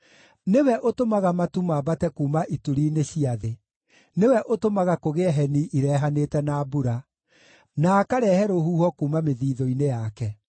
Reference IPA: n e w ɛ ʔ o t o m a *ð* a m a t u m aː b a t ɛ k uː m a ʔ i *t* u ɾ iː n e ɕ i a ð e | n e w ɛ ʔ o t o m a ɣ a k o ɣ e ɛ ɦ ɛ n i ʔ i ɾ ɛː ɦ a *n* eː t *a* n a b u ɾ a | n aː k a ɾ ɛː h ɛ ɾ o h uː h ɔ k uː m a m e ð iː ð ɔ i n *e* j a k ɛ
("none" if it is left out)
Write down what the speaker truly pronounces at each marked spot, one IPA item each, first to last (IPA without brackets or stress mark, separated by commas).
ɣ, t, n, ɛ, e